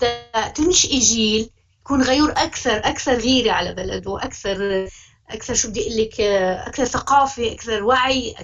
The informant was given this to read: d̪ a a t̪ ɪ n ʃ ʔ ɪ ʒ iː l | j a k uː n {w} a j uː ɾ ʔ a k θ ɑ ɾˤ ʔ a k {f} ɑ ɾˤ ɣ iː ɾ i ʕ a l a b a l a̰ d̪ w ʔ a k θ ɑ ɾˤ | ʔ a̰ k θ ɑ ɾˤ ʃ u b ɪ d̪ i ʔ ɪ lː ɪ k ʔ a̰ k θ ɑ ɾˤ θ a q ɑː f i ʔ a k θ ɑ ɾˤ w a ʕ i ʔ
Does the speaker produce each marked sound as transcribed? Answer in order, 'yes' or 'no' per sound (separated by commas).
no, no